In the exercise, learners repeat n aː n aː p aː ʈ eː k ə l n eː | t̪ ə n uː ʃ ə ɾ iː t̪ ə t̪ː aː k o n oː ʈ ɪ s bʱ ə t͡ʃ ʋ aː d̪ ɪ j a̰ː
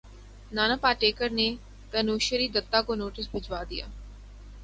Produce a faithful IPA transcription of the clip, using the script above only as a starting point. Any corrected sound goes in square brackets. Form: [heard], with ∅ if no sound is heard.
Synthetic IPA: n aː n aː p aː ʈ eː k ə [ɾ] n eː | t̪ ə n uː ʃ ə ɾ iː [d̪] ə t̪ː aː k o n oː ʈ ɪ s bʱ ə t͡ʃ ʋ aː d̪ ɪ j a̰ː